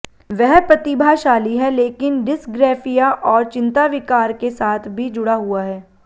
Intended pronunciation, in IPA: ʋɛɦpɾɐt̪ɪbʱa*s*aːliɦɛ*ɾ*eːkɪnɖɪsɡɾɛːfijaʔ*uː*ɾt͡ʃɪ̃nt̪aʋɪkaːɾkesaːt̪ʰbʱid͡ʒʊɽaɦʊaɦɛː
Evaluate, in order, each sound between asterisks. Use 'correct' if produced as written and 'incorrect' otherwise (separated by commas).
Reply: incorrect, incorrect, incorrect